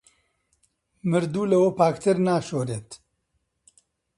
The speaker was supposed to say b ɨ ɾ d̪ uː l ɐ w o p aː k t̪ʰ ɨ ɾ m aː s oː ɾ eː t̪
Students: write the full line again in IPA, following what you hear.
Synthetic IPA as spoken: m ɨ ɾ d̪ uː l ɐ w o p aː k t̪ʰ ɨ ɾ n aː ʃ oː ɾ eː t̪